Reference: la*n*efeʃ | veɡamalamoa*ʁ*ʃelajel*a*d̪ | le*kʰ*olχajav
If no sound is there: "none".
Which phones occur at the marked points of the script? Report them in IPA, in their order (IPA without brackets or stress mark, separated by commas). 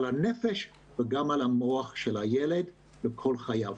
n, χ, e, kʰ